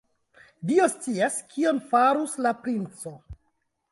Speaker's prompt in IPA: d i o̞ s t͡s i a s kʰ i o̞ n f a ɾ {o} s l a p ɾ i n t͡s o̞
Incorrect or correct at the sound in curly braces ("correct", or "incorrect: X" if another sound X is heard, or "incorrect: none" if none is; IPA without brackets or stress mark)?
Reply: incorrect: u